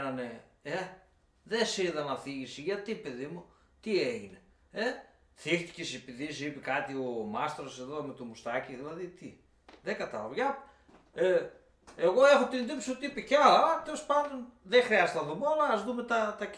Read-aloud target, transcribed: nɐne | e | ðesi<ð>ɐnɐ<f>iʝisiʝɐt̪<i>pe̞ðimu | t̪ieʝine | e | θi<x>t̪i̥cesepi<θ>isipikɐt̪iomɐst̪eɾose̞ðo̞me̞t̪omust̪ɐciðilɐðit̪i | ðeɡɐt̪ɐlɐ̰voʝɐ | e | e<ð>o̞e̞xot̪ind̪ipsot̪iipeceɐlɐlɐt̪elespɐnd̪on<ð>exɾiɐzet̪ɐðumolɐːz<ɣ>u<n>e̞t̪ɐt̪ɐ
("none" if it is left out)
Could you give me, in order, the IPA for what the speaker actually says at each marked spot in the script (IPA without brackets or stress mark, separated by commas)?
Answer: ð, θ, i, x, ð, ɣ, ð, ð, m